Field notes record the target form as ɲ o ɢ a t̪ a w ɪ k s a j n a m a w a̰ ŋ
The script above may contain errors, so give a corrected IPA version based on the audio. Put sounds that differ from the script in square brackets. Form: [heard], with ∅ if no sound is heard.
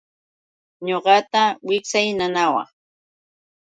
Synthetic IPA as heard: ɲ o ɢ [ɑ] t̪ a w ɪ k s a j n a [n] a w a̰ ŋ